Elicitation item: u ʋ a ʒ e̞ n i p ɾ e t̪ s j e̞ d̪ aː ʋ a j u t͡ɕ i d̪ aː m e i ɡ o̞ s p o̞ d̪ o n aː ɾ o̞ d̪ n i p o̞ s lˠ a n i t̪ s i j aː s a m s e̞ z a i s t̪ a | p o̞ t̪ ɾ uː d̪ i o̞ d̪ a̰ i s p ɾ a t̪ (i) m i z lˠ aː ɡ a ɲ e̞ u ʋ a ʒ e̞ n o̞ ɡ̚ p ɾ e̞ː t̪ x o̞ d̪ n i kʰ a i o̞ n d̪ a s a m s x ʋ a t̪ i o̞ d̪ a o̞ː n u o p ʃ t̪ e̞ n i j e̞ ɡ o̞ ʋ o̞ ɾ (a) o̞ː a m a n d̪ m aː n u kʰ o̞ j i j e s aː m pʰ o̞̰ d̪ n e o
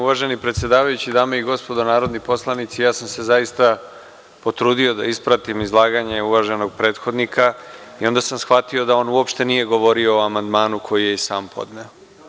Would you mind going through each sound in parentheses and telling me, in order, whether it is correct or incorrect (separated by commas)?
correct, incorrect